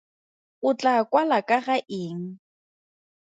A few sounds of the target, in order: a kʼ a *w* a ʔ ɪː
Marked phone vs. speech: incorrect: ɣ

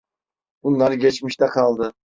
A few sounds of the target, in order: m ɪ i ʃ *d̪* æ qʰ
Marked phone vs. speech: incorrect: t̪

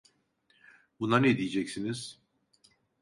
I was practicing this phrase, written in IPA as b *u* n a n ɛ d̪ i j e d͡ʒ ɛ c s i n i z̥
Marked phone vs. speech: correct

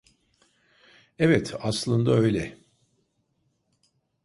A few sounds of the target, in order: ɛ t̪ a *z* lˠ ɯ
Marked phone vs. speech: incorrect: s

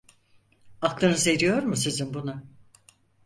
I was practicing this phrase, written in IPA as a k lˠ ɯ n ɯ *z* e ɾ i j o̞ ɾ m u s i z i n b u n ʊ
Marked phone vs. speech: correct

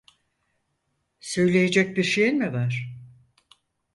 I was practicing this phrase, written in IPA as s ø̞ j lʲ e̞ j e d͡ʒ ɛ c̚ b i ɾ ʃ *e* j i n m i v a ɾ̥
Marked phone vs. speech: correct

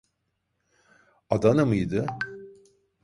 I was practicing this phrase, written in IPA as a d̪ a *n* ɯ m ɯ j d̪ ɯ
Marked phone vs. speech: correct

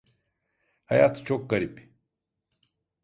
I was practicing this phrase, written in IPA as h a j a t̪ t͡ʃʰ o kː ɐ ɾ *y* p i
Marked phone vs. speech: incorrect: i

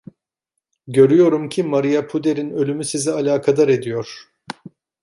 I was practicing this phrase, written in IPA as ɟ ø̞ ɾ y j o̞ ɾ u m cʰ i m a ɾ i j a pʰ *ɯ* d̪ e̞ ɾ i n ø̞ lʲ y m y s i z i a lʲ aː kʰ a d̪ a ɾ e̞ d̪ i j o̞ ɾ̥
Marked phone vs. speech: incorrect: u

